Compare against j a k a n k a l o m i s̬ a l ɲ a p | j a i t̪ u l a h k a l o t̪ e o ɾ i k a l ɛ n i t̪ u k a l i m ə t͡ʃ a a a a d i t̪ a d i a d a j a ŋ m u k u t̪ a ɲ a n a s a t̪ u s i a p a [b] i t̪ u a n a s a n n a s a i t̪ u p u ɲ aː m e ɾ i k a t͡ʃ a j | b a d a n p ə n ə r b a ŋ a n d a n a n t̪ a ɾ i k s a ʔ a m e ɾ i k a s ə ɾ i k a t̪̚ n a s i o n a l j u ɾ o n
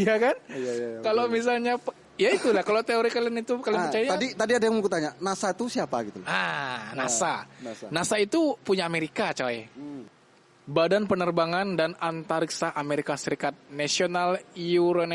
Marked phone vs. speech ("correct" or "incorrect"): incorrect